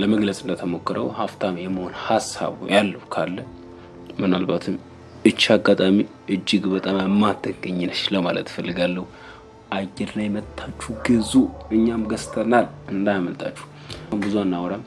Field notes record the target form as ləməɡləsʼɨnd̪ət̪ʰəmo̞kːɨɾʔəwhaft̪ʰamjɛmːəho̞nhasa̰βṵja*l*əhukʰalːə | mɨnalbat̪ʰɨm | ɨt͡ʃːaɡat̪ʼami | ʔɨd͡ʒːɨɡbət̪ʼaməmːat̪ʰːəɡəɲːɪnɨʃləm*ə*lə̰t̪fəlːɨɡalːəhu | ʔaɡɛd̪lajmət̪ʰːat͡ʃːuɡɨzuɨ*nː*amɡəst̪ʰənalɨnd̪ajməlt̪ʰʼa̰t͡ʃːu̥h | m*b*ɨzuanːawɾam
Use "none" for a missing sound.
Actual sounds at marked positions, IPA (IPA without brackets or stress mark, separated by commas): lː, a, ɲː, b